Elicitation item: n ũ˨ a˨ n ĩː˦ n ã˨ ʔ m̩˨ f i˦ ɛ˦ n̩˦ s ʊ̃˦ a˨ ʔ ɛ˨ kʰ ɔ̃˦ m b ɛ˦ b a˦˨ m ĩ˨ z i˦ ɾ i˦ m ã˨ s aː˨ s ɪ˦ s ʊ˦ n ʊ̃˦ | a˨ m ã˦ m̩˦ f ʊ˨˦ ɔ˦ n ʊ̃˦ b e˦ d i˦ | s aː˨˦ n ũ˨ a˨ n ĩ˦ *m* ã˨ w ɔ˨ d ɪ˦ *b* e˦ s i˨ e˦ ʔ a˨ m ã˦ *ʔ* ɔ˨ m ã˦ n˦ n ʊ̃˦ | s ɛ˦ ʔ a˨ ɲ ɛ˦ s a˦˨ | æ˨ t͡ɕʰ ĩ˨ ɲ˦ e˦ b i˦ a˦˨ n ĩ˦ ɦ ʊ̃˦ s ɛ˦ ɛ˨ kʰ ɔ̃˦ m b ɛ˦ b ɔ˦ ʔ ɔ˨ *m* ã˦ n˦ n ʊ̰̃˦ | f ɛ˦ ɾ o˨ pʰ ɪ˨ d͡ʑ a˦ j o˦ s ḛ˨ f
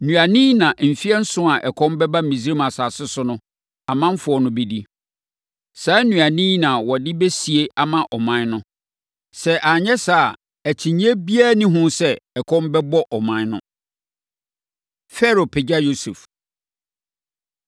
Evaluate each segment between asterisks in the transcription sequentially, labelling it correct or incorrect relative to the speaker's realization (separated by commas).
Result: incorrect, correct, correct, correct